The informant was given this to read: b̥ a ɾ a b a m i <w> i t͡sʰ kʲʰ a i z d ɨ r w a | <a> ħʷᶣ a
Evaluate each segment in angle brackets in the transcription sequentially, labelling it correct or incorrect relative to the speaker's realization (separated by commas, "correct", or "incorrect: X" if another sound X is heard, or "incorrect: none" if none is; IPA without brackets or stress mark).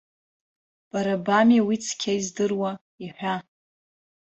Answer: correct, incorrect: i